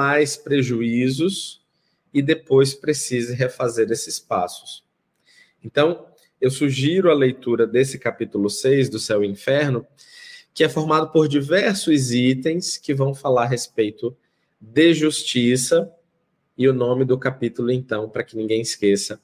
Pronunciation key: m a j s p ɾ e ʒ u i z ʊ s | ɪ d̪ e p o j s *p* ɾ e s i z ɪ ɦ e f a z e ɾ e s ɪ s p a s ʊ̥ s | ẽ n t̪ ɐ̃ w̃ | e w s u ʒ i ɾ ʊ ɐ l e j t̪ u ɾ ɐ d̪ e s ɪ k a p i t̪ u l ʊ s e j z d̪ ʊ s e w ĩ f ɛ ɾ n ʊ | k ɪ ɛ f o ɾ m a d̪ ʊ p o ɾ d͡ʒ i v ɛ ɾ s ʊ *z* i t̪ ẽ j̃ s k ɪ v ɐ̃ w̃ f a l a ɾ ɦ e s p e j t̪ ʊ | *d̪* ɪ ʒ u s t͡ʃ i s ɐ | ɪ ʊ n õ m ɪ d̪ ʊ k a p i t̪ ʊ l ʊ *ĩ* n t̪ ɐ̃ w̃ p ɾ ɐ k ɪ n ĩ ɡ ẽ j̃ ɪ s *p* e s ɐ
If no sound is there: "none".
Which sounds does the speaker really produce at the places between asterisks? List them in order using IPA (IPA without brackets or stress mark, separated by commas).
p, z, d̪, ẽ, k